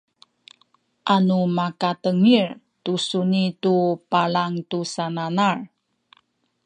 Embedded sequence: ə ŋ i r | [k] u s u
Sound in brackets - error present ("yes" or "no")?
yes